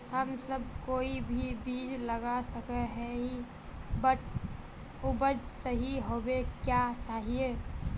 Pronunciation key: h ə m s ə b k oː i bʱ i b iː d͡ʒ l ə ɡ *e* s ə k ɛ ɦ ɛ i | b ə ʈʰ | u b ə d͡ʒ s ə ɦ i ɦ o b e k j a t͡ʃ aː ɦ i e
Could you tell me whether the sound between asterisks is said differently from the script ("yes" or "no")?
yes